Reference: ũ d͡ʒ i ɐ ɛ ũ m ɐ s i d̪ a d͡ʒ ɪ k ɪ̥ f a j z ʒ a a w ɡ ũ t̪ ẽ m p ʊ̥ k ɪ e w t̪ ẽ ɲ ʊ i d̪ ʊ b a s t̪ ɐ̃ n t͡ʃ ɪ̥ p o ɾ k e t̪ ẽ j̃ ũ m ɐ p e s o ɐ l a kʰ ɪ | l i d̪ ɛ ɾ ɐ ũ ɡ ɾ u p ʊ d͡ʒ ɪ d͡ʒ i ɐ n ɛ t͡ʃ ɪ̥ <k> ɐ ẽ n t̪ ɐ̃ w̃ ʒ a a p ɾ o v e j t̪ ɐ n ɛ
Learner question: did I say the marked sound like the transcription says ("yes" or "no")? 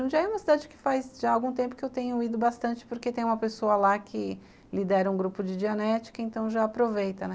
yes